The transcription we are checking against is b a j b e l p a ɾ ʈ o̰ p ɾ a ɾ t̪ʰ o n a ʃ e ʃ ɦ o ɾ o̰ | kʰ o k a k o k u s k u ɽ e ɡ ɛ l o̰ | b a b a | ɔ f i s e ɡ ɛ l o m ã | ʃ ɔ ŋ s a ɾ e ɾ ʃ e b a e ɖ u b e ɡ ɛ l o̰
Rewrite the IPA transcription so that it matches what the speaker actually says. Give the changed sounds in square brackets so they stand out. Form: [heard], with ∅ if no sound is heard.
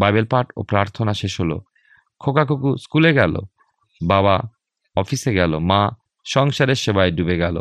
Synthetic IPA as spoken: b a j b e l p a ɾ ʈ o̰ p ɾ a ɾ t̪ʰ o n a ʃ e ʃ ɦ o [l] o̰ | kʰ o k a k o k u s k u [l] e ɡ ɛ l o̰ | b a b a | ɔ f i s e ɡ ɛ l o m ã | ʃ ɔ ŋ [ʃ] a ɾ e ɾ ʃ e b a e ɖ u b e ɡ ɛ l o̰